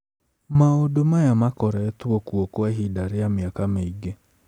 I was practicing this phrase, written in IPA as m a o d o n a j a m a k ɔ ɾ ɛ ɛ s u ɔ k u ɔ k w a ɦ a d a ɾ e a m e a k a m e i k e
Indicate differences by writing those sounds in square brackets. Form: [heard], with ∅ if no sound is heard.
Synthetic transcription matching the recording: m a o d o [m] a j a m a k ɔ ɾ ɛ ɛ [t] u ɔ k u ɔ k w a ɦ [i] d a ɾ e a m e a k a m e i [ɡ] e